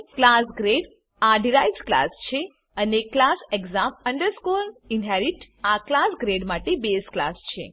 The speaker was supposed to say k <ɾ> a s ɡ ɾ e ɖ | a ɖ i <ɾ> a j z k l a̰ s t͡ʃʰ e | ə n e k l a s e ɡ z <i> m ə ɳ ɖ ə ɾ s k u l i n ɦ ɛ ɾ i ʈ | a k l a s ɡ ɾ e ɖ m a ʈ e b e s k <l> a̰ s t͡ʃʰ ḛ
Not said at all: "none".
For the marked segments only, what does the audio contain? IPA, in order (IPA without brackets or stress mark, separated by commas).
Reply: l, ɾ, a, l